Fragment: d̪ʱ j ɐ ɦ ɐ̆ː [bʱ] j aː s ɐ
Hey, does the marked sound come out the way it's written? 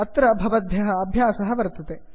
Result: yes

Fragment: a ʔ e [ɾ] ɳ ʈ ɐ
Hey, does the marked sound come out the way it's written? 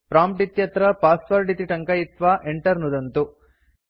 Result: no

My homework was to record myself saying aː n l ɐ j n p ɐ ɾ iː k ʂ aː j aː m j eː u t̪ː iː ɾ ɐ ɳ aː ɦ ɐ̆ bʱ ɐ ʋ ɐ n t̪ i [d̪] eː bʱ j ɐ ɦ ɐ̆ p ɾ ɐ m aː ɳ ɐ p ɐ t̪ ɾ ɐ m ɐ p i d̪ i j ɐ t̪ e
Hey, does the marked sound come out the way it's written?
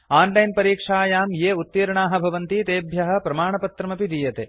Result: no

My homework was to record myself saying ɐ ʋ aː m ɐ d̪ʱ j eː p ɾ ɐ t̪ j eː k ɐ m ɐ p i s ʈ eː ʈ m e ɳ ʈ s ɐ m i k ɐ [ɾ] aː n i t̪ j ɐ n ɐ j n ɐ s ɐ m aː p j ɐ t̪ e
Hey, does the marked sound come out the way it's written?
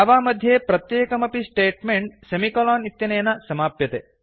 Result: no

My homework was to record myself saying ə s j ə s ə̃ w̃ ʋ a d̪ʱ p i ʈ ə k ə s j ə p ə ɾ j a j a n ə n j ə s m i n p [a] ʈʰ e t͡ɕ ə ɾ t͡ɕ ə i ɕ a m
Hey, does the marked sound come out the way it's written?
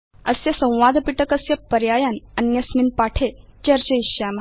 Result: yes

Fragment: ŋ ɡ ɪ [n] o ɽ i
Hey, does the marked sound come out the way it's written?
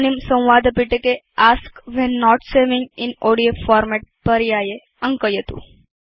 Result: yes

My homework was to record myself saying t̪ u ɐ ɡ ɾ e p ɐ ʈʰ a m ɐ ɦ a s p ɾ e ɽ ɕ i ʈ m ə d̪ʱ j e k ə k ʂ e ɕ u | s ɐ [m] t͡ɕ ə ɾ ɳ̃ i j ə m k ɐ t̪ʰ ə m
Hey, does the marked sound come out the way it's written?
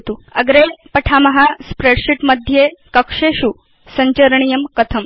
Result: no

